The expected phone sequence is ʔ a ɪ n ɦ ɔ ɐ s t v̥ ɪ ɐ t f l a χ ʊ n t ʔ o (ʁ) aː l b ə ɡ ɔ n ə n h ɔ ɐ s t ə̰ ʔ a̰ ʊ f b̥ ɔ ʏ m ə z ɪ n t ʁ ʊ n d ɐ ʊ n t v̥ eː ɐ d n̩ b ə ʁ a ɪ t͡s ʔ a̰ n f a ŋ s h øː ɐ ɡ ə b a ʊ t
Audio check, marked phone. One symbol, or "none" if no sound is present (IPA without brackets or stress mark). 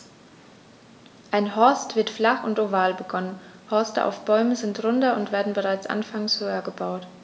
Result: v